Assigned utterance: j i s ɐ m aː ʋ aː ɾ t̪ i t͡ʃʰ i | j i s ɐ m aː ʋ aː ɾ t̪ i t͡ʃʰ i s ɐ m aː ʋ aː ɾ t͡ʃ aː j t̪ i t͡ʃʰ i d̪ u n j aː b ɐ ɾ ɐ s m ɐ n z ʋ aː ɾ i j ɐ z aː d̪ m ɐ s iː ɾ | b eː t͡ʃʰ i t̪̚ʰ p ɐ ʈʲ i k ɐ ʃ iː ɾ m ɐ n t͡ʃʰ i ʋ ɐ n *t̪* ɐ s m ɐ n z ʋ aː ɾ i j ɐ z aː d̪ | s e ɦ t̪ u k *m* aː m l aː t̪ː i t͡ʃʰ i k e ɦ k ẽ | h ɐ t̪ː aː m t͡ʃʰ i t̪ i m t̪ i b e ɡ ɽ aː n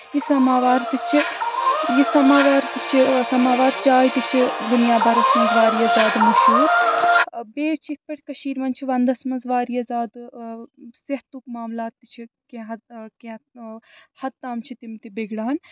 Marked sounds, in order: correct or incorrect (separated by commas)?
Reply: incorrect, correct